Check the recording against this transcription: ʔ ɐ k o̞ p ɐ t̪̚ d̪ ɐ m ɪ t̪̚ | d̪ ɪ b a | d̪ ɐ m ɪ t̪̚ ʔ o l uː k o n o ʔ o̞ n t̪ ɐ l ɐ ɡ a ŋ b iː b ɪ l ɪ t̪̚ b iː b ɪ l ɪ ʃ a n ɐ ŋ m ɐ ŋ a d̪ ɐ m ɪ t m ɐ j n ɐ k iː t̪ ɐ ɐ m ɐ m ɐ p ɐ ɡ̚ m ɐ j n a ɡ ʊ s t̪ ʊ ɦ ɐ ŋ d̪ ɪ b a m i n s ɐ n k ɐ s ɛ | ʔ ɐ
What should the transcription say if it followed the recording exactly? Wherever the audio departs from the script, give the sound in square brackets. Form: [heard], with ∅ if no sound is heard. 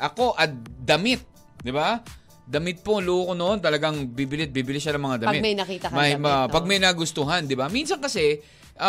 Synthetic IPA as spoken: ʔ ɐ k o̞ [ʔ] ɐ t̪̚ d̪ ɐ m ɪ t̪̚ | d̪ ɪ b a | d̪ ɐ m ɪ t̪̚ [p] o l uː k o n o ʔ o̞ n t̪ ɐ l ɐ ɡ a ŋ b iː b ɪ l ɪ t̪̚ b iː b ɪ l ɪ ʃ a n ɐ ŋ m ɐ ŋ a d̪ ɐ m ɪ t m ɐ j n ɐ k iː t̪ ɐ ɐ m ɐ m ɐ p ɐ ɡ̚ m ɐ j n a ɡ ʊ s t̪ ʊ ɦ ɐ [n] d̪ ɪ b a m i n s ɐ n k ɐ s ɛ | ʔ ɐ